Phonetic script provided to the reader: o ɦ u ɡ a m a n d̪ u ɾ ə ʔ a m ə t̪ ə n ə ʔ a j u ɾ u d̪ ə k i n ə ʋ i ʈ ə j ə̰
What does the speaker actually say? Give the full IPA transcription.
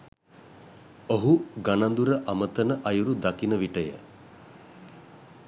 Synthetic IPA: o ɦ u ɡ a n a n d̪ u ɾ ə ʔ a m ə t̪ ə n ə ʔ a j u ɾ u d̪ a k i n ə ʋ i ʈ ə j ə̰